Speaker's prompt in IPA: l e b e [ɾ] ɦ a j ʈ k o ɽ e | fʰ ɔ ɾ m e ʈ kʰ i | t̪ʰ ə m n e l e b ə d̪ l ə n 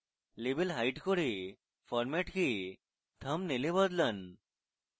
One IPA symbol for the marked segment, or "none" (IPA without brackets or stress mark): l